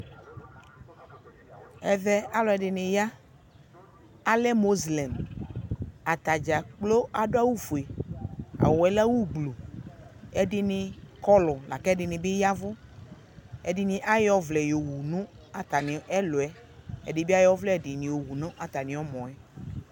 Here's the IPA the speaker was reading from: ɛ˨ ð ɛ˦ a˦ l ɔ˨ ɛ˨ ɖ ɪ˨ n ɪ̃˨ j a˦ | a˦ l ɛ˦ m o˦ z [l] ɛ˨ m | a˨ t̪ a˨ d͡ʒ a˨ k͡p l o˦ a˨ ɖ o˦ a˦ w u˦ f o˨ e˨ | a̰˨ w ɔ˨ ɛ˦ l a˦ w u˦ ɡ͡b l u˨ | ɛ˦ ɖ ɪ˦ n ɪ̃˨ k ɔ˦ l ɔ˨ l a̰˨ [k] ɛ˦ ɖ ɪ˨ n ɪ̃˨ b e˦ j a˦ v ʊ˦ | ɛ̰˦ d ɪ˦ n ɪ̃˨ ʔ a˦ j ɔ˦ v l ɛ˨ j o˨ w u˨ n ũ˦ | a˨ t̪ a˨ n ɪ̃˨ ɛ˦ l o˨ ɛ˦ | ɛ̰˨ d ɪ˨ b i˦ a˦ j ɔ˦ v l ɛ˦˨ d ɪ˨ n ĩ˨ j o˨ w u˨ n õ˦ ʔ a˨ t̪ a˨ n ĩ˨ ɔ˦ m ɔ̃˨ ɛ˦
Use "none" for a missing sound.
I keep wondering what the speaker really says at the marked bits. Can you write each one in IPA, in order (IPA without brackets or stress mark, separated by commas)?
l, k